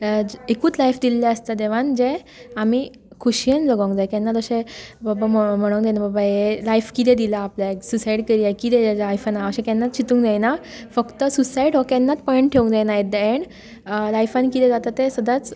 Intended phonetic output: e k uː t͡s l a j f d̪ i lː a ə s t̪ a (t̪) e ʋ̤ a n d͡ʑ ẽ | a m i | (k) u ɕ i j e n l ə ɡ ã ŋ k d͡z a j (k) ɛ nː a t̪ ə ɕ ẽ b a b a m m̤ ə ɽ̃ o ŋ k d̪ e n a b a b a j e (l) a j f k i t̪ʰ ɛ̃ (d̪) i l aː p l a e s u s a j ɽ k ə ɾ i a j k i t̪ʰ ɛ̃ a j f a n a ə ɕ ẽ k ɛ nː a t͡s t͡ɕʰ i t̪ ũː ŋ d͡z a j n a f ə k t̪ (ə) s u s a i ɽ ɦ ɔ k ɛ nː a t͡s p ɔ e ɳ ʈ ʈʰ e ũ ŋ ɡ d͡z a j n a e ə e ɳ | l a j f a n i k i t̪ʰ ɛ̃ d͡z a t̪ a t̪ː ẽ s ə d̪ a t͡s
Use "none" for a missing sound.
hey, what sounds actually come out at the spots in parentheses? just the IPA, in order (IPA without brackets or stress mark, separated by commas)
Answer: d̪, kʰ, k, l, d̪, ə